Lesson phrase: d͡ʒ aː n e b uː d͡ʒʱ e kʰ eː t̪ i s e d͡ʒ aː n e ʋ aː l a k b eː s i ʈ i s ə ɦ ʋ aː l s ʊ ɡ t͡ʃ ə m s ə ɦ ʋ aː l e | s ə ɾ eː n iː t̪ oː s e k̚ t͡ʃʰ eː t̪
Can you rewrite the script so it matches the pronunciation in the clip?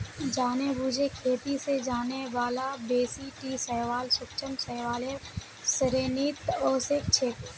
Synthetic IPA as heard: d͡ʒ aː n e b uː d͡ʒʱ e kʰ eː t̪ i s e d͡ʒ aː n e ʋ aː l a b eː s i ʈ i s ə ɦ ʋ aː l s ʊ k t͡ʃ ə m s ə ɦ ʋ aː l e | s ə ɾ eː n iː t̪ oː s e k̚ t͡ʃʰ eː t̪